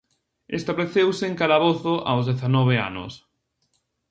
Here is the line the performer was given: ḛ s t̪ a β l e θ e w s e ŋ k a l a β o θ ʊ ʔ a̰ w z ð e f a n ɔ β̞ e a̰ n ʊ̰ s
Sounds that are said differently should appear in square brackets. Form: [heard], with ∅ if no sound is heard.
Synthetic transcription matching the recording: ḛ s t̪ a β l e θ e w s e ŋ k a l a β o θ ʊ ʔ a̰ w z ð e [θ] a n ɔ β̞ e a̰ n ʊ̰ s